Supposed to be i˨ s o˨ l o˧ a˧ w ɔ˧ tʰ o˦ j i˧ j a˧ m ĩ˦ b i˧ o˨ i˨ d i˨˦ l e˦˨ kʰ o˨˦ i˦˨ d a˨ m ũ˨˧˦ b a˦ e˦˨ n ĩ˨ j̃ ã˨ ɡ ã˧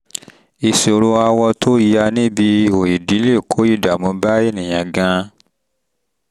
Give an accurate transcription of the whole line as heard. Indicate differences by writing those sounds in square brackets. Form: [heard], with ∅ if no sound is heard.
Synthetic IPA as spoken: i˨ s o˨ [ɾ] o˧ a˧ w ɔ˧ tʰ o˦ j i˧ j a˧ [n] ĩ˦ b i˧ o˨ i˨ d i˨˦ l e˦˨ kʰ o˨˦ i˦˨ d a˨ m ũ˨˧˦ b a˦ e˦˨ n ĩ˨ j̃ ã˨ ɡ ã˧